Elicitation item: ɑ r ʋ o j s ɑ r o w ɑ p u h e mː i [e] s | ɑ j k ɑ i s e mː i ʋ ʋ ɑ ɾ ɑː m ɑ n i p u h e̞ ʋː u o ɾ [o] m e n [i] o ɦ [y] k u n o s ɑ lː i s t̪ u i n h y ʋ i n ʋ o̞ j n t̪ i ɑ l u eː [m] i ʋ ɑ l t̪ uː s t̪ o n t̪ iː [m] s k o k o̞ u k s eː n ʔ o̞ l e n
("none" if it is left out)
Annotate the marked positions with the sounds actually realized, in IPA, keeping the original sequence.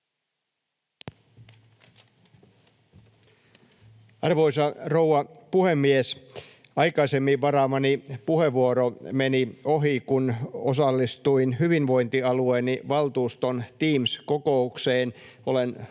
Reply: e, o, i, i, n, m

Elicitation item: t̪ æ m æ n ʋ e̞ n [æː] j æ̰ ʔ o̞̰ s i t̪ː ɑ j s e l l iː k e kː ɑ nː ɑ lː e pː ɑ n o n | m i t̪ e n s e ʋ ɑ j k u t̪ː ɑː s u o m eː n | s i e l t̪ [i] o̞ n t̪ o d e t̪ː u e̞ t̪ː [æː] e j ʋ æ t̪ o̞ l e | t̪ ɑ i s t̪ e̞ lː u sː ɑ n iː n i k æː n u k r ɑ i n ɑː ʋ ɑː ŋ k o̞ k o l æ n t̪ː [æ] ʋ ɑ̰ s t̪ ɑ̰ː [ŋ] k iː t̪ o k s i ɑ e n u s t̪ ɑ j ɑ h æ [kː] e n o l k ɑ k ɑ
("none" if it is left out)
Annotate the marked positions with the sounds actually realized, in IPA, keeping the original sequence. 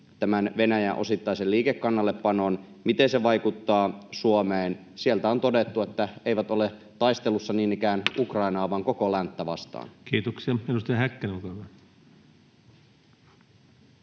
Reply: æ, æ, æ, æ, n, kː

